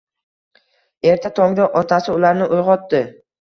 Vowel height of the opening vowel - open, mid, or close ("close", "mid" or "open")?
mid